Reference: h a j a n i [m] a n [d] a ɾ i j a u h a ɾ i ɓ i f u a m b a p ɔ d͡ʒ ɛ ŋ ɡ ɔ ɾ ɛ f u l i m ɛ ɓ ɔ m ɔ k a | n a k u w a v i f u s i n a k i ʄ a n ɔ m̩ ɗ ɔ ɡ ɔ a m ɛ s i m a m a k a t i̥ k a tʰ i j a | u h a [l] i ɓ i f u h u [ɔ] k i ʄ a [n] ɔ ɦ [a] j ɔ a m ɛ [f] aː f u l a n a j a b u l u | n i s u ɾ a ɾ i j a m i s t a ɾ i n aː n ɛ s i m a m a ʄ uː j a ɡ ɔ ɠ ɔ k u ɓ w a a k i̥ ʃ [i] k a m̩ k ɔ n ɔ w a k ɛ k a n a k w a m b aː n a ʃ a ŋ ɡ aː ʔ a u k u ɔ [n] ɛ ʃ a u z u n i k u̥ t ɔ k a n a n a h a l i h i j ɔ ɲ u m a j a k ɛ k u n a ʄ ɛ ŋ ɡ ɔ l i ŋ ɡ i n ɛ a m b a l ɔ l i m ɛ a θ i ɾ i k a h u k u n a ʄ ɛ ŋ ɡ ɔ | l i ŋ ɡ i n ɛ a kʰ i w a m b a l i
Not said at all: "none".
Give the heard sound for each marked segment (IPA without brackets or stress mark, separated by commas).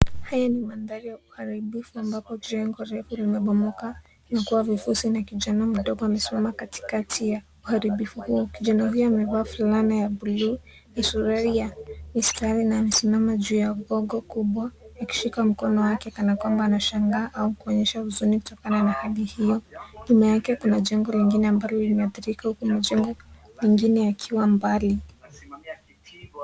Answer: m, d, ɾ, ɔ, n, i, v, i, ɲ